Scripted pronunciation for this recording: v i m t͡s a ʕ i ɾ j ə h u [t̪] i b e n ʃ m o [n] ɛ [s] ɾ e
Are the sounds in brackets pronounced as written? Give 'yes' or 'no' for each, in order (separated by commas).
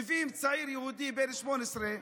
no, yes, yes